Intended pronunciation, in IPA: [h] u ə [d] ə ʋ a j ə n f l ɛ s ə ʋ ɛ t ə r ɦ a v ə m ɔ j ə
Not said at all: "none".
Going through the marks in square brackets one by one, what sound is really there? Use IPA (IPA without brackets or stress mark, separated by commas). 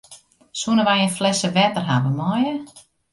s, n